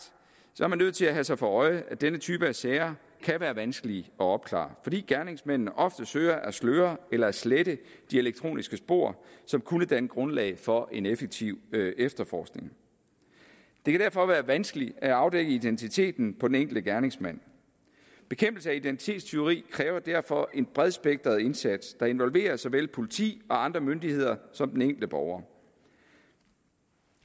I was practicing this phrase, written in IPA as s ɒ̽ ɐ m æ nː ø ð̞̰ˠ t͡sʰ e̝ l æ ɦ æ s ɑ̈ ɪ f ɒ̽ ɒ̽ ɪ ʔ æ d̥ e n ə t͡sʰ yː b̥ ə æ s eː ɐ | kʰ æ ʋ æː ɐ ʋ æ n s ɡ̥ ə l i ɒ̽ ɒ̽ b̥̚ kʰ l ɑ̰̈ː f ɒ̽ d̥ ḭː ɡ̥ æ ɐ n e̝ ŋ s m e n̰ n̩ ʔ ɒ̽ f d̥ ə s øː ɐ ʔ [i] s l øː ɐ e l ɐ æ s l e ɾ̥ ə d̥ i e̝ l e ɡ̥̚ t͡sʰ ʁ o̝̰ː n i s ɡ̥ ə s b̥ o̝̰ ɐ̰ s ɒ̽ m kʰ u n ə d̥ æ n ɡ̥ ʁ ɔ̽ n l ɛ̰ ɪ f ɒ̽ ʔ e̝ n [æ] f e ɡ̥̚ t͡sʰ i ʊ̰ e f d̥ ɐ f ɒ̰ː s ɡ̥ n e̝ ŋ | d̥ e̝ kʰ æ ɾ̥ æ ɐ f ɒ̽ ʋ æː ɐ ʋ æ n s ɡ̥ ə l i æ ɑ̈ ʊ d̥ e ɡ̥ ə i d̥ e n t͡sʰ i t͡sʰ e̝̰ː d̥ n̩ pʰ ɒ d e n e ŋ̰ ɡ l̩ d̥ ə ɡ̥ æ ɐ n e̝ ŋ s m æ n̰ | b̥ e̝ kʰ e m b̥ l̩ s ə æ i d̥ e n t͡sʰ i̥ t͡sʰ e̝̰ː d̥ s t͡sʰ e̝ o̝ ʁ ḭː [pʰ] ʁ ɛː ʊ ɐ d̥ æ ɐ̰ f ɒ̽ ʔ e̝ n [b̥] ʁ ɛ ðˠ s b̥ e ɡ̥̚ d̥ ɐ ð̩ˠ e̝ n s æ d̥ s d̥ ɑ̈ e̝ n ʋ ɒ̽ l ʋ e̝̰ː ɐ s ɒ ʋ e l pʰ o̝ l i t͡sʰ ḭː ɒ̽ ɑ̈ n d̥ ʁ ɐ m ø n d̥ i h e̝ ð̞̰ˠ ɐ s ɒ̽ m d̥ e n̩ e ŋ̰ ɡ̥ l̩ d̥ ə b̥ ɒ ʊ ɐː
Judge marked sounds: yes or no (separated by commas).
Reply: no, no, no, yes